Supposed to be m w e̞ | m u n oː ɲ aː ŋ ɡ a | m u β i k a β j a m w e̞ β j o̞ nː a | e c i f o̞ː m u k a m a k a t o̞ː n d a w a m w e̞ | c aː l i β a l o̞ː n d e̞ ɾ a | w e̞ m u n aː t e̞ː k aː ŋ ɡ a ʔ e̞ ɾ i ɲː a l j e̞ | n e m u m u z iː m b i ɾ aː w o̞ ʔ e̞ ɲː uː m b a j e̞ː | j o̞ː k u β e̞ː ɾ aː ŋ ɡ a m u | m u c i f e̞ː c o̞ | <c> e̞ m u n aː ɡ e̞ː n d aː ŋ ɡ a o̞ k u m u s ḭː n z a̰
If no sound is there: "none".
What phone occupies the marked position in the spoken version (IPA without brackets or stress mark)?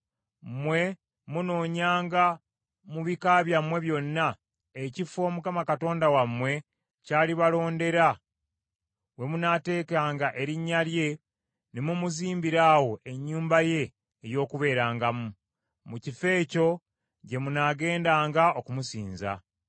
ɟ